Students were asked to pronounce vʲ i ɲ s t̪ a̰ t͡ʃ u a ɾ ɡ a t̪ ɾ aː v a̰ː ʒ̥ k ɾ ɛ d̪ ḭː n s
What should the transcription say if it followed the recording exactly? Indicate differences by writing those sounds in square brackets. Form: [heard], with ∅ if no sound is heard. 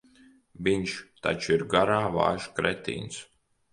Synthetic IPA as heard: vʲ i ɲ [ʃ] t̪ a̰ t͡ʃ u [i] ɾ ɡ a [∅] ɾ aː v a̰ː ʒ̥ k ɾ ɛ [t̪] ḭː n s